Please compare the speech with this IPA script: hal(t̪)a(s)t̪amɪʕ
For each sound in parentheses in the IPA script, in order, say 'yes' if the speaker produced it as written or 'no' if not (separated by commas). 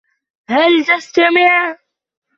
yes, yes